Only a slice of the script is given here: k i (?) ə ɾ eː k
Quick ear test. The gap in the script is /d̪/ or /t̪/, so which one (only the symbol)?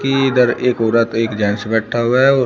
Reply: d̪